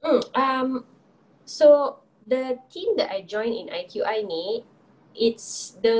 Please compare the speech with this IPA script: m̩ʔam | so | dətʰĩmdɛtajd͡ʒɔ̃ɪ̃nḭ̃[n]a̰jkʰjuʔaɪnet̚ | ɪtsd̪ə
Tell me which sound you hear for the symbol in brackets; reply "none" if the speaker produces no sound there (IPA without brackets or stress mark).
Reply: n